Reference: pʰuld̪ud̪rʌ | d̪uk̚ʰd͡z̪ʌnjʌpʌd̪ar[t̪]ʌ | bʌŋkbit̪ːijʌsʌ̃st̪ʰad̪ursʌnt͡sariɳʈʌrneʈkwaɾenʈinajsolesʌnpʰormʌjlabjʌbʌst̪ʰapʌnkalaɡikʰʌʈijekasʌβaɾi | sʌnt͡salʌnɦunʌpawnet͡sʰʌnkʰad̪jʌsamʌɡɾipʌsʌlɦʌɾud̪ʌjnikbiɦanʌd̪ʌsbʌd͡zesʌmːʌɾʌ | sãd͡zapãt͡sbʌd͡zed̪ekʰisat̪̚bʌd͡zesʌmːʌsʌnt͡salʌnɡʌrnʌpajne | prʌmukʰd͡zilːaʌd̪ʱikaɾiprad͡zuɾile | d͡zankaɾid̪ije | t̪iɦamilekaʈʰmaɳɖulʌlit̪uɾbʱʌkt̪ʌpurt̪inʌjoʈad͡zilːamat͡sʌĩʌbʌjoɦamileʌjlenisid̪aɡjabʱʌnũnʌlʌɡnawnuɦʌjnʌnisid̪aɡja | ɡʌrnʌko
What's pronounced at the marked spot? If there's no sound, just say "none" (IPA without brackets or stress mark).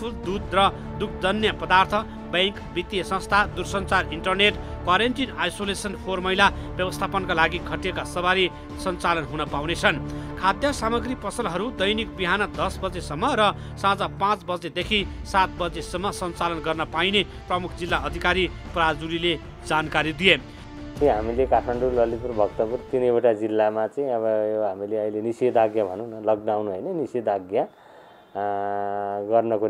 t̪ʰ